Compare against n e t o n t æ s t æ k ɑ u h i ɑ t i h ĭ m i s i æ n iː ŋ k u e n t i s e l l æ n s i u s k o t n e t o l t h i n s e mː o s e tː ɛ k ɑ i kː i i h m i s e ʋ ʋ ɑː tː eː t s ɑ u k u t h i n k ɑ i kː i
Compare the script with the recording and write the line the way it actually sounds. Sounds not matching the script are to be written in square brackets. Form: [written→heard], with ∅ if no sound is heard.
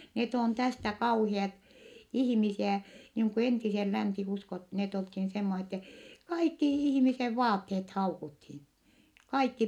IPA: n e t o n t æ s t æ k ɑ u h i ɑ t i h ĭ m i s i æ n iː ŋ k u e n t i s e l l æ n s i u s k o t n e t o l t h i n s e mː o s e tː ɛ k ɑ i kː i i h m i s e ʋ ʋ ɑː tː eː t [s→h] ɑ u k u t h i n k ɑ i kː i